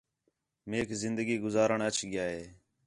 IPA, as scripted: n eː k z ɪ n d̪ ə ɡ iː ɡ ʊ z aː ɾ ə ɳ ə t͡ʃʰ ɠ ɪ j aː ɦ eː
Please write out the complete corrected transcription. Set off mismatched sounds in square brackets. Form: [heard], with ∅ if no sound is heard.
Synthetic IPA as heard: [m] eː k z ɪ n d̪ ə ɡ iː ɡ ʊ z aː ɾ ə ɳ ə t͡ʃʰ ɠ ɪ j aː ɦ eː